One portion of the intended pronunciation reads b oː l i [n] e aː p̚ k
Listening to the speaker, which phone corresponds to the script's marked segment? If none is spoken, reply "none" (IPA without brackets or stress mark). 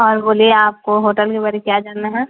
none